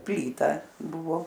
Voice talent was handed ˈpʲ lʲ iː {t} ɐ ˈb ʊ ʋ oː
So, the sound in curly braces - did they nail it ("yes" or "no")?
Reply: yes